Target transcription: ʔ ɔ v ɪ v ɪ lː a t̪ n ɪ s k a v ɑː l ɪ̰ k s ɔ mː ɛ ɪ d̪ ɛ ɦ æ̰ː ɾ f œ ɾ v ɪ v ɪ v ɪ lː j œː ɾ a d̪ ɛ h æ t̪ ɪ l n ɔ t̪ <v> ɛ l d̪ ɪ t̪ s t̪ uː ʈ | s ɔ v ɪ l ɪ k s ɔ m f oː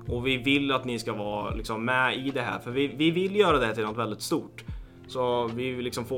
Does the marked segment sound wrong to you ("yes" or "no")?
no